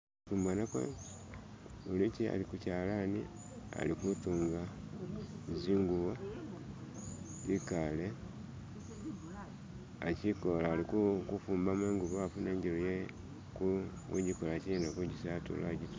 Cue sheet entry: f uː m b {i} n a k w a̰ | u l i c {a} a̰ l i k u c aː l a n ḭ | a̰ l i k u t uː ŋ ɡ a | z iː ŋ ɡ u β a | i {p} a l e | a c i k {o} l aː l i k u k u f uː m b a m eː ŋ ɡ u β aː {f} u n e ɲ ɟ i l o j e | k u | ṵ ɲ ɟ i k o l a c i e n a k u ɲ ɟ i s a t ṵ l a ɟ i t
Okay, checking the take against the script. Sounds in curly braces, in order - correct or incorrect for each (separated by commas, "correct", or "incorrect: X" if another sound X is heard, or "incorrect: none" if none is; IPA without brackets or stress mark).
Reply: incorrect: a, incorrect: i, incorrect: k, correct, correct